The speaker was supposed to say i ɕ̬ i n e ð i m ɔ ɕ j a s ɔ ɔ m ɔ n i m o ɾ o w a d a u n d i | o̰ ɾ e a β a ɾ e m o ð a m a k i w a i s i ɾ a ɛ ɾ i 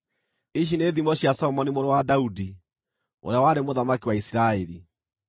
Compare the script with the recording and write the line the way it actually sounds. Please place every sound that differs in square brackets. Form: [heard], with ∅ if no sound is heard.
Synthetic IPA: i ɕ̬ i n e ð i m ɔ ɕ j a s ɔ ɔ m ɔ n i m o ɾ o w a d a u [∅] d i | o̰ ɾ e a [w] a ɾ e m o ð a m a k i w a i s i ɾ a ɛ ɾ i